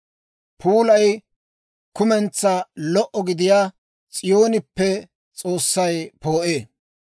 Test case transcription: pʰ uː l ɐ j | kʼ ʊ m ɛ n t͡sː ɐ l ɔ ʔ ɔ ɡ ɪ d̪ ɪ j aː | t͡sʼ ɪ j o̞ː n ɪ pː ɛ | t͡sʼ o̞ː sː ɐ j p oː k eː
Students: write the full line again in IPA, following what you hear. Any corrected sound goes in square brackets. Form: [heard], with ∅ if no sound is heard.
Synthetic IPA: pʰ uː l ɐ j | [k] ʊ m ɛ n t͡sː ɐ l ɔ ʔ ɔ ɡ ɪ d̪ ɪ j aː | t͡sʼ ɪ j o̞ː n ɪ pː ɛ | t͡sʼ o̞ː sː ɐ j p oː [ʔ] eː